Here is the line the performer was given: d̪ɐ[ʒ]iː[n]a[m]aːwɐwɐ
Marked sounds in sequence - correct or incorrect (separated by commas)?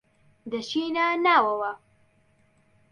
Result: incorrect, correct, incorrect